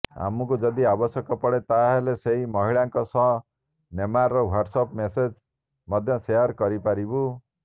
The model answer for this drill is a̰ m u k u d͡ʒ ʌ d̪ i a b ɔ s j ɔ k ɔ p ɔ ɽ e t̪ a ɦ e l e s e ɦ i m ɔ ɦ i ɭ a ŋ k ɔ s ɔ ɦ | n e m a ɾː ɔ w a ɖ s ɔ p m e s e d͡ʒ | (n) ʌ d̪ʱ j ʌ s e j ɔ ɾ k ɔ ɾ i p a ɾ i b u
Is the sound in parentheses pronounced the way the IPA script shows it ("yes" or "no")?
no